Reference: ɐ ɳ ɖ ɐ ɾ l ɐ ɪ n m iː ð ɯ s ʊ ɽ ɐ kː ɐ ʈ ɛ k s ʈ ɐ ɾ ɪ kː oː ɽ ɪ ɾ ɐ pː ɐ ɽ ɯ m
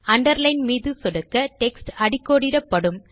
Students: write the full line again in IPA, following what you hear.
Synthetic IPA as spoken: ɐ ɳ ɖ ɐ ɾ l ɐ ɪ n m iː ð ɯ s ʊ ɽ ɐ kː ɐ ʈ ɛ k s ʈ ɐ ɽ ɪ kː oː ɽ ɪ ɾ ɐ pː ɐ ɽ ɯ m